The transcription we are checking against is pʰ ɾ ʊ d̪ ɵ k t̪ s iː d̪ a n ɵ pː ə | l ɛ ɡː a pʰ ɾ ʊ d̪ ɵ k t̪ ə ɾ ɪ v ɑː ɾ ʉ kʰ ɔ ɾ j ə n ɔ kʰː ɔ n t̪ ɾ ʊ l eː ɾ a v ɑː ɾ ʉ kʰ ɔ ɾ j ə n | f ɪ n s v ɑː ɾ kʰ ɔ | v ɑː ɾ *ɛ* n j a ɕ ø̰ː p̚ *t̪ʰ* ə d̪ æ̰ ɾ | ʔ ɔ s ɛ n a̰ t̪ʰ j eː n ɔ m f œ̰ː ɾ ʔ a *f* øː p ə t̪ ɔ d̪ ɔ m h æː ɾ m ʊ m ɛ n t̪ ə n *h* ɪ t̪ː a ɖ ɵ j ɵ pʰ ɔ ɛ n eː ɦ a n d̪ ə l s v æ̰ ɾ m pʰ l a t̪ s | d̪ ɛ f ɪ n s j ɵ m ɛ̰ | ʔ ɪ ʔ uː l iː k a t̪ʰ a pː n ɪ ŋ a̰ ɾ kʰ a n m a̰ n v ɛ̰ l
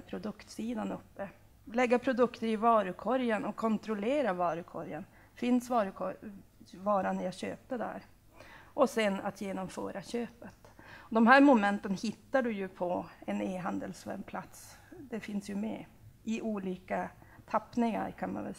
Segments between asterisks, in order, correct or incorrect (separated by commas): incorrect, incorrect, incorrect, correct